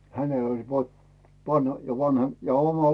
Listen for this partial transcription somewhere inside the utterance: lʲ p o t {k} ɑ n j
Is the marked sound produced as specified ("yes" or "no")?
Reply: no